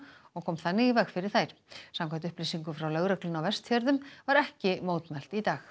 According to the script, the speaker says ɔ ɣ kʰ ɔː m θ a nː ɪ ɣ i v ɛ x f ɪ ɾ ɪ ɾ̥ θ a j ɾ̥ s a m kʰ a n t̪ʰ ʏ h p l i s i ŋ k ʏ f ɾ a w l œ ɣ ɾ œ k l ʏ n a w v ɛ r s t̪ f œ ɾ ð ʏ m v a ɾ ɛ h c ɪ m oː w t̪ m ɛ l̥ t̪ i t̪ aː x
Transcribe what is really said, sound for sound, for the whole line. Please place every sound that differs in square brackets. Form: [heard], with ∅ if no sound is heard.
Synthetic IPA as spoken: ɔ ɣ kʰ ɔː m θ a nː ɪ ɣ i v ɛ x f ɪ ɾ ɪ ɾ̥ θ a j ɾ̥ s a m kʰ a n [t̪] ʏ h p l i s i ŋ k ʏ f ɾ a w l œ ɣ ɾ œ k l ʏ n a w v ɛ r s t̪ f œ ɾ ð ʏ m v a ɾ ɛ h c ɪ m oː w t̪ m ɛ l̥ t̪ i t̪ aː x